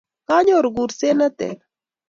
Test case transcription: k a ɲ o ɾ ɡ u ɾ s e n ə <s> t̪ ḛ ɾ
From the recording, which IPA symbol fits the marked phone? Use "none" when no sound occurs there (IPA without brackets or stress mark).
none